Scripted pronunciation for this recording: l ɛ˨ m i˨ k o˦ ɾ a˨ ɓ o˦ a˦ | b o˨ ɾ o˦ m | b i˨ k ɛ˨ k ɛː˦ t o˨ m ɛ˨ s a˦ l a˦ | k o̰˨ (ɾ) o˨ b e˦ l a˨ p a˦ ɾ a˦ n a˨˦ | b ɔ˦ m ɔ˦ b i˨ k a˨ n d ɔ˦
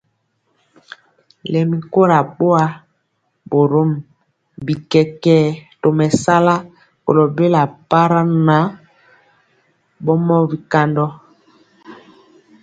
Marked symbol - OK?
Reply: no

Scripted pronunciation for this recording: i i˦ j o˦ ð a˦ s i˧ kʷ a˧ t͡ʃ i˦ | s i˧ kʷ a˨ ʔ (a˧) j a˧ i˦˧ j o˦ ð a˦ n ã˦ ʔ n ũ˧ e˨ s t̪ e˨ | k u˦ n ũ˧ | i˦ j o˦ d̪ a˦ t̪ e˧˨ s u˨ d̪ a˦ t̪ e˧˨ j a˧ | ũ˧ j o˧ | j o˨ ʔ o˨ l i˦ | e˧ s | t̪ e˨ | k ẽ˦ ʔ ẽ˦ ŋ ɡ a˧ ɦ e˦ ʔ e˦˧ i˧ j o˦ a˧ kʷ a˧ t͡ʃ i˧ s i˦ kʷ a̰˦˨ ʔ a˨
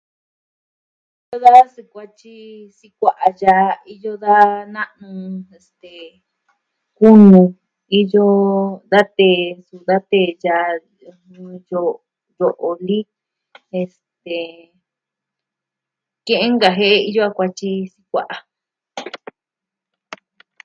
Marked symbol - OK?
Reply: yes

